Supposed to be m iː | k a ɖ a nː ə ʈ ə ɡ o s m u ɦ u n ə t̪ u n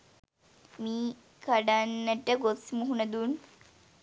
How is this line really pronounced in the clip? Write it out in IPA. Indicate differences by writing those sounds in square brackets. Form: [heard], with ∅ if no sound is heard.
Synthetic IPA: m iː | k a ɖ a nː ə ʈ ə ɡ o s m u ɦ u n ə [d̪] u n